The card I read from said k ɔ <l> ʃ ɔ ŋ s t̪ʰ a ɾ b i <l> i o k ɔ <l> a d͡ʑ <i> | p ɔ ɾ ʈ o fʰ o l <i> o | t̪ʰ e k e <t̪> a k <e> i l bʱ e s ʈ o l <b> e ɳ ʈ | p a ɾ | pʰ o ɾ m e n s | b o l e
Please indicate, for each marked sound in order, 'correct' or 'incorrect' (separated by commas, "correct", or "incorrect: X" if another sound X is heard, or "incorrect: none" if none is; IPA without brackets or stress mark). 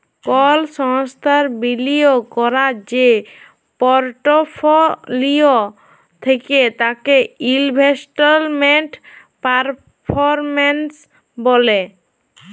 correct, correct, incorrect: ɾ, incorrect: e, correct, correct, correct, incorrect: m